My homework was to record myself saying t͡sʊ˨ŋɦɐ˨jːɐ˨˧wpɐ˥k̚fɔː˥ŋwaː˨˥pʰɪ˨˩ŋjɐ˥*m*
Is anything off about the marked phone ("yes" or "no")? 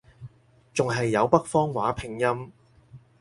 no